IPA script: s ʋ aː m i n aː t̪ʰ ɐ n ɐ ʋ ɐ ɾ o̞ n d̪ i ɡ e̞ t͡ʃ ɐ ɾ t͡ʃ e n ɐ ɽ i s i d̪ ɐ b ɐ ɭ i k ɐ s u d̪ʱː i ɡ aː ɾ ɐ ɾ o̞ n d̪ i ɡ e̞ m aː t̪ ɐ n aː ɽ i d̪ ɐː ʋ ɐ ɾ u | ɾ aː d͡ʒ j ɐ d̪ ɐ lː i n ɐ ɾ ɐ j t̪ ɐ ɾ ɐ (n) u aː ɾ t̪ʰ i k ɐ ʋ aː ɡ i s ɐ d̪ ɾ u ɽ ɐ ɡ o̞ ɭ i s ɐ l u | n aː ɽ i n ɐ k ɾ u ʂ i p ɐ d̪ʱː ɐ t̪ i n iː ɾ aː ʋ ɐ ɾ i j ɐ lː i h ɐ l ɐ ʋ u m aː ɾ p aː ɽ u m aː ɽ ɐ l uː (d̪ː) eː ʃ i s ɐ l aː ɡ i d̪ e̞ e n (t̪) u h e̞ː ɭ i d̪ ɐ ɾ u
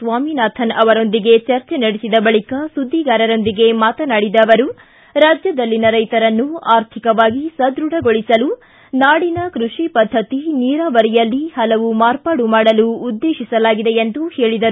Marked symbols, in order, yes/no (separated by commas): no, yes, no